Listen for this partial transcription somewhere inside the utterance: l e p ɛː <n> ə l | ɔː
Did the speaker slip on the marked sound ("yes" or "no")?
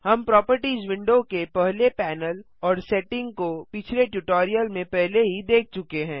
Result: no